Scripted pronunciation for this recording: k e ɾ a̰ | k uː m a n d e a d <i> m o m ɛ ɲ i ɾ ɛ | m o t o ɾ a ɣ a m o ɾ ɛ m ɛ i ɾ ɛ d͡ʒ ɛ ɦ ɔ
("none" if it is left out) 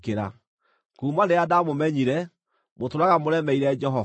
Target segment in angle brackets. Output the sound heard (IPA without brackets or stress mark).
a